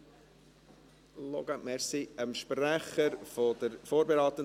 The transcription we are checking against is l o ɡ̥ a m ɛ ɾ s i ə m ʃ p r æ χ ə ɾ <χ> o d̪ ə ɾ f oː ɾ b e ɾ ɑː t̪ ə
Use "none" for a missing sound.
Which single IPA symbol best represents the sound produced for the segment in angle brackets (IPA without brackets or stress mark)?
f